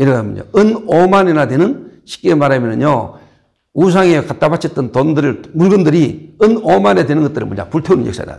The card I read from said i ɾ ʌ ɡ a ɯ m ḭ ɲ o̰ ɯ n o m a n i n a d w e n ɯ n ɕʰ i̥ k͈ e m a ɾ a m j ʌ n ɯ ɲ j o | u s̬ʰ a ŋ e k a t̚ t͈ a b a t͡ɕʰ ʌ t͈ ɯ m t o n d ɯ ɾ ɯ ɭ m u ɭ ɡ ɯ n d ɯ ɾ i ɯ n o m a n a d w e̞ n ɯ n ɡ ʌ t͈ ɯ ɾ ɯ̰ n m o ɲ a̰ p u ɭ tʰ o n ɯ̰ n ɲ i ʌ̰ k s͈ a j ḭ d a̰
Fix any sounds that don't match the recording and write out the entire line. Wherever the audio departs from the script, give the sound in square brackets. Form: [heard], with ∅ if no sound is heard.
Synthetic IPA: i ɾ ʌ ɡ a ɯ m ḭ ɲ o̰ ɯ n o m a n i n a d w e n ɯ n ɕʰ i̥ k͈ e m a ɾ a m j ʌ n ɯ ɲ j o | u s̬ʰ a ŋ e k a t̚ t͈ a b a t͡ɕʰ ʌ t͈ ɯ [n] t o n d ɯ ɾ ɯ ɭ m u ɭ ɡ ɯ n d ɯ ɾ i ɯ n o m a n [e] d w e̞ n ɯ n ɡ ʌ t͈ ɯ ɾ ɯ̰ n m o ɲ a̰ p u ɭ tʰ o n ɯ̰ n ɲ [j] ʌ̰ k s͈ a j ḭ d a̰